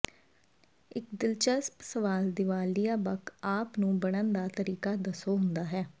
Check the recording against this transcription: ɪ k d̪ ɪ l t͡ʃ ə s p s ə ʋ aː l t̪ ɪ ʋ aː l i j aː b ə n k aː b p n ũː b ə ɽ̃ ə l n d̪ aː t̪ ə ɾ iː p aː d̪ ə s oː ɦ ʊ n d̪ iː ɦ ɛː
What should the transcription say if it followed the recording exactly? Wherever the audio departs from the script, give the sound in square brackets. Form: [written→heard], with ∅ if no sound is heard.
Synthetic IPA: ɪ k d̪ ɪ l t͡ʃ ə s p s ə ʋ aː l [t̪→d̪] ɪ ʋ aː l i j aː b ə [n→∅] k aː [b→∅] p n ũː b ə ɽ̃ ə [l→∅] n d̪ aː t̪ ə ɾ iː [p→k] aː d̪ ə s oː ɦ ʊ n d̪ [iː→aː] ɦ ɛː